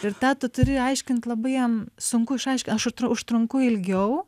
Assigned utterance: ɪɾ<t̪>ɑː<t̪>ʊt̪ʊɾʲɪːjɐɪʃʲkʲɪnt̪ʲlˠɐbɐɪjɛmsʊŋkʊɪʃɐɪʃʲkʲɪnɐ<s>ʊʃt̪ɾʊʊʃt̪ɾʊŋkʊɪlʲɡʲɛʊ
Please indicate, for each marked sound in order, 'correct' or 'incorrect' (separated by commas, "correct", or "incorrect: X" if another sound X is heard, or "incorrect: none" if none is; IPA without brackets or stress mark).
correct, correct, incorrect: ʃ